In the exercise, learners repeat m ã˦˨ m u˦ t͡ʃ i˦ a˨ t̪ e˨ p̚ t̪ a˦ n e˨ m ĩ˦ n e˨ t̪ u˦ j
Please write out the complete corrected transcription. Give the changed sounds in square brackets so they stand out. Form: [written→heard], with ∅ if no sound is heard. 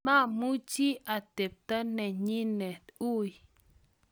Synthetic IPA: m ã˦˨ m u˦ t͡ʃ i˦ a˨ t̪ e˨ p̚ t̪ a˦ n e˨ [m→ɲ] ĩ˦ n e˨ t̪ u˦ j